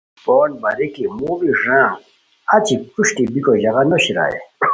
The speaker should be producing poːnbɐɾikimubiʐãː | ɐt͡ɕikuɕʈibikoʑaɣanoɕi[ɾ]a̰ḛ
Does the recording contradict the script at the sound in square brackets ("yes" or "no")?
no